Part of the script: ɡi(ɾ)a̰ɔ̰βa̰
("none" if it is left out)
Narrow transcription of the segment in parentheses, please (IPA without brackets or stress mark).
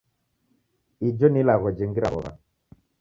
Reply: ɾ